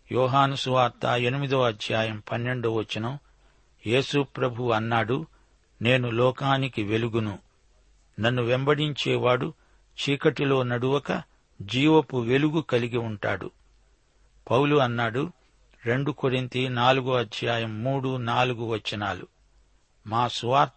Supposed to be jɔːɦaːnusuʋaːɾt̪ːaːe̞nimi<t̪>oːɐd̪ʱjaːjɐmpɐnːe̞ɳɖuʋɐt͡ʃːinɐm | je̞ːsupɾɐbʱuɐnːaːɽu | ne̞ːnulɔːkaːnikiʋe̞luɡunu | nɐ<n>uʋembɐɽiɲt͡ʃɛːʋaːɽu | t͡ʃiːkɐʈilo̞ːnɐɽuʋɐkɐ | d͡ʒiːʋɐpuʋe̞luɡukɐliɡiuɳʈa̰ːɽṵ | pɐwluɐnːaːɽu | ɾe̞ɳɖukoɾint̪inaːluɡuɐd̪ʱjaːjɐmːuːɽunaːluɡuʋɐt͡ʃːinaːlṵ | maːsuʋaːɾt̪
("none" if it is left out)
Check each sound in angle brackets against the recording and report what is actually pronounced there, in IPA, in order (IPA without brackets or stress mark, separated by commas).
d̪, nː